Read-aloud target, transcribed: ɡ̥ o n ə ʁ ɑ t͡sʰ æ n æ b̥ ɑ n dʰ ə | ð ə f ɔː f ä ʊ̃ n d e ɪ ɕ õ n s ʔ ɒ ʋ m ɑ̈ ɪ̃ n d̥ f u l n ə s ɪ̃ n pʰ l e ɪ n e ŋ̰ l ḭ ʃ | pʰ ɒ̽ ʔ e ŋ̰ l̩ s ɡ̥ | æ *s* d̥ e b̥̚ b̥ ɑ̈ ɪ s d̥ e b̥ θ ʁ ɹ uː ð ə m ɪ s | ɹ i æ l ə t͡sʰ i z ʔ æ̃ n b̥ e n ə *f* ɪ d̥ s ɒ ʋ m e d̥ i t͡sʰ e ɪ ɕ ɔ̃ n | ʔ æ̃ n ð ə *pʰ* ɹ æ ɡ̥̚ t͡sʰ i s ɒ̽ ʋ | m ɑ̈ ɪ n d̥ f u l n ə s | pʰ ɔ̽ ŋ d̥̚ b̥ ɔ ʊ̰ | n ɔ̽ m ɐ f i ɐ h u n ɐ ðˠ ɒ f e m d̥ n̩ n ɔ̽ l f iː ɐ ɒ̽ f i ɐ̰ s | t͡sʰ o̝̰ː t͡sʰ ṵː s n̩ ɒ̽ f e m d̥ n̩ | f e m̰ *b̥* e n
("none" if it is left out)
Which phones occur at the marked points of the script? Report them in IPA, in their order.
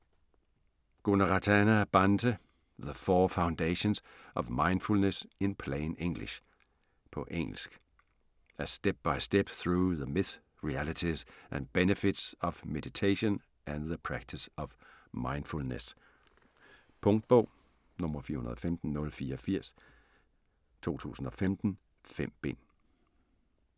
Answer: s, f, pʰ, b̥

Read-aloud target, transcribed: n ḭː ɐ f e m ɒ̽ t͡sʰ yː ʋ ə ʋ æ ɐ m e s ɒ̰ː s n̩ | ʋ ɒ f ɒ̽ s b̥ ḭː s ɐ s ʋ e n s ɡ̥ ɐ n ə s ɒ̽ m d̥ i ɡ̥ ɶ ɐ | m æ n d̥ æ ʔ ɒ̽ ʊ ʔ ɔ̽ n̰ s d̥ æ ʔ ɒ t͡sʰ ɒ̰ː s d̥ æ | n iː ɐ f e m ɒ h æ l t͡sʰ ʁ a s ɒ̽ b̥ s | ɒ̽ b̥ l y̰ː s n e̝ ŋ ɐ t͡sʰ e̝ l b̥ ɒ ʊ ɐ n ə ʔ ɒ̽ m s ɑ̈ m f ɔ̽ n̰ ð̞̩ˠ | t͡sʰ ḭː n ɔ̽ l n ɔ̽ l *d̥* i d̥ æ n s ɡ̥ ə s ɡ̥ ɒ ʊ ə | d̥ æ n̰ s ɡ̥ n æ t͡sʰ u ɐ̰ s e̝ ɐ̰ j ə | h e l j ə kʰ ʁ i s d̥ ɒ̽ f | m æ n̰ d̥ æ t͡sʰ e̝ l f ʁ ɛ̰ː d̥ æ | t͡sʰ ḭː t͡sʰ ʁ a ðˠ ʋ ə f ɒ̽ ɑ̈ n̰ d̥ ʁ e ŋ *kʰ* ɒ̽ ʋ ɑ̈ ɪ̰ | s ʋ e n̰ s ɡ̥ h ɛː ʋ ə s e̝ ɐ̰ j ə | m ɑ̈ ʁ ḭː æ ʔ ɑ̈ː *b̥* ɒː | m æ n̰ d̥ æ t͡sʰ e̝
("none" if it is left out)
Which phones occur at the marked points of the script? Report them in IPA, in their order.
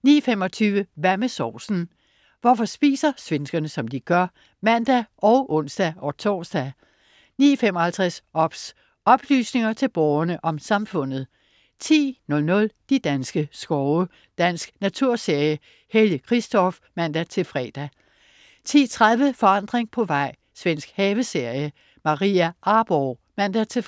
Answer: d̥, pʰ, b̥

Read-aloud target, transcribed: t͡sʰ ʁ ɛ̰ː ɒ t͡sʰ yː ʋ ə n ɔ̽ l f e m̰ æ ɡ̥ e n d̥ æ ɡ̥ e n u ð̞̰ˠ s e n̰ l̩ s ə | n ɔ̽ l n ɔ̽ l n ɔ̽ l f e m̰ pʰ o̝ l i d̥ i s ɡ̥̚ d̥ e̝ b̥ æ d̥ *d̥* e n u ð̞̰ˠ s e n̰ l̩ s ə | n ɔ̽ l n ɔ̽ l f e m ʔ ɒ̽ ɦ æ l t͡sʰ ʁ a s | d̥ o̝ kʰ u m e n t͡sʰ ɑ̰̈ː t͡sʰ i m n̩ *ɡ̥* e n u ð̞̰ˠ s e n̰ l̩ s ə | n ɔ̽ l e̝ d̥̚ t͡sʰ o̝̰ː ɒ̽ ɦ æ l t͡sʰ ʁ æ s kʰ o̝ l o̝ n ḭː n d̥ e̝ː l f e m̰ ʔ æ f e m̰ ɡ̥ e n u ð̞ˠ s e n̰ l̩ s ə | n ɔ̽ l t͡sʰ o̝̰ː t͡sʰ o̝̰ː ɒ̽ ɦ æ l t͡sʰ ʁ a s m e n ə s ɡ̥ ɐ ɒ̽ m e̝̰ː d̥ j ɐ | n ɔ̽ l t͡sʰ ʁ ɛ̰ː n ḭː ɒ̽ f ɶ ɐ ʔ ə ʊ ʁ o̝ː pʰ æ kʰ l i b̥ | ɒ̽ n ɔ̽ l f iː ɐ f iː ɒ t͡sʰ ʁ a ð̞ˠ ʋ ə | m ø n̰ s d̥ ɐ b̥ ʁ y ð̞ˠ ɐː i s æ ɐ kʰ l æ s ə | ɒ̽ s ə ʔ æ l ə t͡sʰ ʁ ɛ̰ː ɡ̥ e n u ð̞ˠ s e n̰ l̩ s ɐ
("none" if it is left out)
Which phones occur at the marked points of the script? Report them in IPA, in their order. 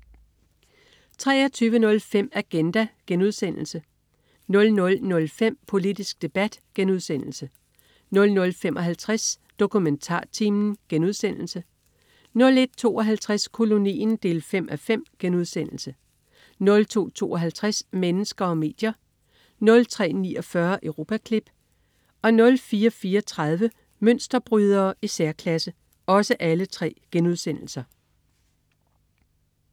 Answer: ɡ̥, ɡ̥

